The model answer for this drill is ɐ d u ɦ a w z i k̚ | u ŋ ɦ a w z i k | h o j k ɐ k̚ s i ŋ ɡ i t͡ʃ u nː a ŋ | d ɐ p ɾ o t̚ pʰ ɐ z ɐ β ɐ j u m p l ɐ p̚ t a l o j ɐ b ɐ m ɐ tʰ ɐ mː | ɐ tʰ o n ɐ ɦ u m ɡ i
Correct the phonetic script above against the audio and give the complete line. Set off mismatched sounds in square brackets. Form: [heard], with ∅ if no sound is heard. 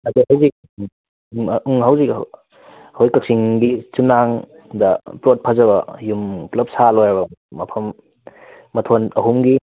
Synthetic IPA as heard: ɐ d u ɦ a w z i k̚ | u ŋ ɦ a w z i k | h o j k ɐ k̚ s i ŋ ɡ i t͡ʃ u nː a ŋ | d ɐ p ɾ o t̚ pʰ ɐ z ɐ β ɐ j u m p l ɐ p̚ [s] a l o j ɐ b ɐ m ɐ [pʰ] ɐ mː | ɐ tʰ o n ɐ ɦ u m ɡ i